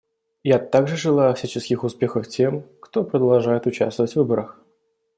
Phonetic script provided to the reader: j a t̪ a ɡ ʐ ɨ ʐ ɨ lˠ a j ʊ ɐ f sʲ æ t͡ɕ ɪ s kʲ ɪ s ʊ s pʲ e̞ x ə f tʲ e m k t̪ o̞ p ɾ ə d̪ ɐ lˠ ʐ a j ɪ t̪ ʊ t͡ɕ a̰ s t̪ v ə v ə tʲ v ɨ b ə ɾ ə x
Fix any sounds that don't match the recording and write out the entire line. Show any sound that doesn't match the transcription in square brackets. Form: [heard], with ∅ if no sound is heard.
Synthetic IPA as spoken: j a t̪ a ɡ ʐ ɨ ʐ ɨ lˠ a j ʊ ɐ f sʲ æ t͡ɕ ɪ s kʲ ɪ [x] ʊ s pʲ e̞ x ə f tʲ e m k t̪ o̞ p ɾ ə d̪ ɐ lˠ ʐ a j ɪ t̪ ʊ t͡ɕ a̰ s t̪ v ə v ə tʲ v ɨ b ə ɾ ə x